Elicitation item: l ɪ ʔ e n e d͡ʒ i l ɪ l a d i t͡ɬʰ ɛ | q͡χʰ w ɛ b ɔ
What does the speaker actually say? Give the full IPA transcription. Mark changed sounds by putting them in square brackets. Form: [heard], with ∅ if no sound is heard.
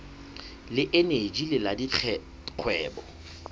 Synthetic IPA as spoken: l ɪ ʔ e n e d͡ʒ i l ɪ l a d i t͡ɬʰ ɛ | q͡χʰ w [ɛː] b ɔ